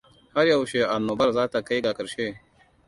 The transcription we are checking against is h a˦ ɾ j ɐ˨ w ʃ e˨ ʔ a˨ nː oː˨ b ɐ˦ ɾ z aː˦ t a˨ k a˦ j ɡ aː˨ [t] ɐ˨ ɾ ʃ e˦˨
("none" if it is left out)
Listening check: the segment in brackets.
k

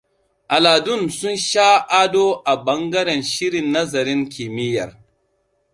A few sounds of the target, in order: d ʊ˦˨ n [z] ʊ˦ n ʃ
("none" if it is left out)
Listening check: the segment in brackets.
s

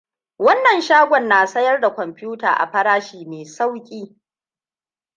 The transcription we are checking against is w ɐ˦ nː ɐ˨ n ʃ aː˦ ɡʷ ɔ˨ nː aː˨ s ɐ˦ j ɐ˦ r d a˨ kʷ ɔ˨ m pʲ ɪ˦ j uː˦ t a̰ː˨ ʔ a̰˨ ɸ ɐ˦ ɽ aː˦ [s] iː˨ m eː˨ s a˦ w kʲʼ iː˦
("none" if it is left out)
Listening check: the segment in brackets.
ʃ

